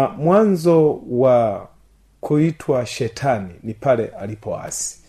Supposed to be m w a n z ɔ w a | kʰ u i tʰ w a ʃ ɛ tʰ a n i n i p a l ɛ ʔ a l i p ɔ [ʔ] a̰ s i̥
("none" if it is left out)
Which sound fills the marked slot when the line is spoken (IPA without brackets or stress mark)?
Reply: none